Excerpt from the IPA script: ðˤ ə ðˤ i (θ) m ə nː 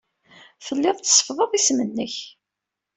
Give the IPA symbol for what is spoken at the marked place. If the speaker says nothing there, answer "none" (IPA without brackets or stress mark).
s